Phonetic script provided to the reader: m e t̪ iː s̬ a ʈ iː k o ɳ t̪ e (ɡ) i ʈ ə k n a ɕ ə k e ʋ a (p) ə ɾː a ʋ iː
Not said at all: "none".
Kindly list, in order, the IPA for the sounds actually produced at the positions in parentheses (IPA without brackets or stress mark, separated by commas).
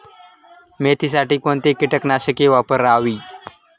k, p